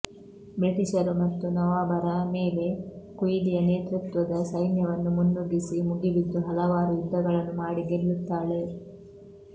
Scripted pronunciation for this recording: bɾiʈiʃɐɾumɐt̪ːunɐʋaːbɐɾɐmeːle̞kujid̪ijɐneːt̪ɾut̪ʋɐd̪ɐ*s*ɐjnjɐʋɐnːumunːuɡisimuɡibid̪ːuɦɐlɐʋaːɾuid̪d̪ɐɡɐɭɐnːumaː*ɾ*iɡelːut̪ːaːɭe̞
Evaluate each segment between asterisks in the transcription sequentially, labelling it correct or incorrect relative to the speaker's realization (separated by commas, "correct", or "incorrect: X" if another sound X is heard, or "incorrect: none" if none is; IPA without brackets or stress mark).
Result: correct, incorrect: ɽ